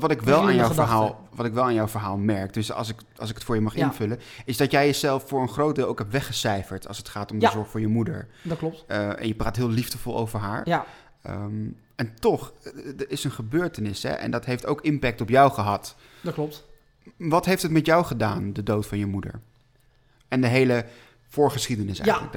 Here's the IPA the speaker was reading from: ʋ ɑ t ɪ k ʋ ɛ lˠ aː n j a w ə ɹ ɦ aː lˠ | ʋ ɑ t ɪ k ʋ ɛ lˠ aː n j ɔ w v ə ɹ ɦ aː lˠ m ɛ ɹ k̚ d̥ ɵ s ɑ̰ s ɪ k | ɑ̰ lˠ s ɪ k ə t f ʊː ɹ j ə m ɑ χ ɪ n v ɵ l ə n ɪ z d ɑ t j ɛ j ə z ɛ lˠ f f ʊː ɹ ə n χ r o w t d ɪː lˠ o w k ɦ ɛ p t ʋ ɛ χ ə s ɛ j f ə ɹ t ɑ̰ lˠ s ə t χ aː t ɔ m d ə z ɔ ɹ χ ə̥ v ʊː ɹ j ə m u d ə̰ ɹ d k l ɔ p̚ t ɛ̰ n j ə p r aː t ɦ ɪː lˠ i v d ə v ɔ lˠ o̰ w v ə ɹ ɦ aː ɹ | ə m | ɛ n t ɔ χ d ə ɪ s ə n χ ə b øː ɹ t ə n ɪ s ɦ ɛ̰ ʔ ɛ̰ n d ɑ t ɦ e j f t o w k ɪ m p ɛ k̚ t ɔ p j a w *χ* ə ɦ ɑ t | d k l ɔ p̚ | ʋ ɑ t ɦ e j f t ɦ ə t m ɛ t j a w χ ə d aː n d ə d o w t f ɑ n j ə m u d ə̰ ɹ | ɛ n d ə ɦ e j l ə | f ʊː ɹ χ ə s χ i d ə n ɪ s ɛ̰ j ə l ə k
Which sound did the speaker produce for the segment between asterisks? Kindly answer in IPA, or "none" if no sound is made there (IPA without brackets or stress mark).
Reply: χ